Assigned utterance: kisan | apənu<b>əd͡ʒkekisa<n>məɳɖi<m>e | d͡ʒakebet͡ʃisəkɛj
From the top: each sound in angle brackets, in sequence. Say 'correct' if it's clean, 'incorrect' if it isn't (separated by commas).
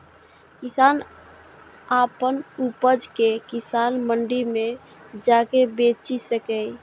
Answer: incorrect, correct, correct